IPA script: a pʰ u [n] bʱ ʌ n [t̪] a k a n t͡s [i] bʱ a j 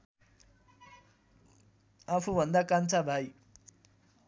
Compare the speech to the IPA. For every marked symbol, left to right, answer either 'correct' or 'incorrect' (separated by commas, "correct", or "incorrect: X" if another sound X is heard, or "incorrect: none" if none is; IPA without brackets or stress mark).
incorrect: none, incorrect: d̪, incorrect: a